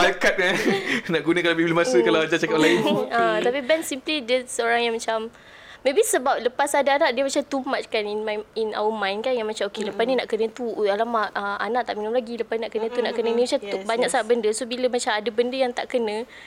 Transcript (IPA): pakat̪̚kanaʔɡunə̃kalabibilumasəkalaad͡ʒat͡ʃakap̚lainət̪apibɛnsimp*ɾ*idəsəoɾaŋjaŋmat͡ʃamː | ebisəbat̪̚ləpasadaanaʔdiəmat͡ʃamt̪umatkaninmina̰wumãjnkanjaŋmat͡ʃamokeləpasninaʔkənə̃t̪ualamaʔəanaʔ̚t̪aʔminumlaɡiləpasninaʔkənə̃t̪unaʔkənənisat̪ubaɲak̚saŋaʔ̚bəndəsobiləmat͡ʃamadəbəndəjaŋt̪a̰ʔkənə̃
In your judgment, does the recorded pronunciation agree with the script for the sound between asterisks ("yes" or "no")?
no